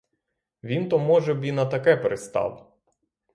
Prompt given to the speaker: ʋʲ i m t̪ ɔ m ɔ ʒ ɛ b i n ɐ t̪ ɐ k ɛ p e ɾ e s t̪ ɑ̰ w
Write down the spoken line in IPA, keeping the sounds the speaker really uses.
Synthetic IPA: ʋʲ i n t̪ ɔ m ɔ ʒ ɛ b i n ɐ t̪ ɐ k ɛ p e ɾ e s t̪ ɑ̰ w